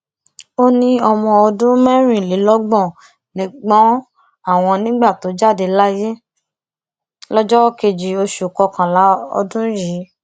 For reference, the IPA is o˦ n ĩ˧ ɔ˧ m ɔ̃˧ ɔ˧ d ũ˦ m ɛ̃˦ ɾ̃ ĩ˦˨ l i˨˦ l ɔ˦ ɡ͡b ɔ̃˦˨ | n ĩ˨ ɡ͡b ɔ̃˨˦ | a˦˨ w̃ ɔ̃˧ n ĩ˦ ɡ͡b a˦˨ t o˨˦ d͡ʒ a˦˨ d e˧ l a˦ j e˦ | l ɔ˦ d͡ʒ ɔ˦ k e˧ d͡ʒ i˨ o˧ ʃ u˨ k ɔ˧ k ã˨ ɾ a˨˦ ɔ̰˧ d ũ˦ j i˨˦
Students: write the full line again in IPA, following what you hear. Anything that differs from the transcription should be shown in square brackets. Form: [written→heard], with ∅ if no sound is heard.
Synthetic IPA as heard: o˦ n ĩ˧ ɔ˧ m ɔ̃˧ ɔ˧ d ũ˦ m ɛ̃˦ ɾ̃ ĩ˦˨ l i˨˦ l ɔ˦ ɡ͡b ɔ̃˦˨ | n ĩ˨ ɡ͡b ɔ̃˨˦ | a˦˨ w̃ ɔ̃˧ n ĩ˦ ɡ͡b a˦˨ t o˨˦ d͡ʒ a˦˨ d e˧ l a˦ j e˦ | l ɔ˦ d͡ʒ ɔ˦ k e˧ d͡ʒ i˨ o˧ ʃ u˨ k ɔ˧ k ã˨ [ɾ→l] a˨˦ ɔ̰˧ d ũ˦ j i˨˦